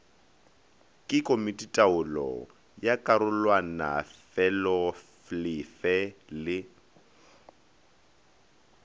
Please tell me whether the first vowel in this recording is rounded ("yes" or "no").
no